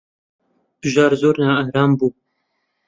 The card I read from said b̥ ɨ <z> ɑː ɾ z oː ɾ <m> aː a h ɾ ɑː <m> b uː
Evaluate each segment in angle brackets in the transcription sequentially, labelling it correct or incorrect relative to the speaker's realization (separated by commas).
incorrect, incorrect, correct